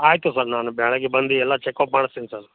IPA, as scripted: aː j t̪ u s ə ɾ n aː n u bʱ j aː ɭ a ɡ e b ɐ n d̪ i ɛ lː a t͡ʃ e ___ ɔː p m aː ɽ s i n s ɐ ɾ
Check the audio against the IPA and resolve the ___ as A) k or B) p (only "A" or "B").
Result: A